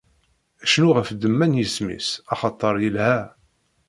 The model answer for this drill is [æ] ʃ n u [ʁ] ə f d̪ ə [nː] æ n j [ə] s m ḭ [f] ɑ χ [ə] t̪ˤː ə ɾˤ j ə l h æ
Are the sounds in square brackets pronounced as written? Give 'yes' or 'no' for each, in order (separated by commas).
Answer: yes, yes, no, yes, no, no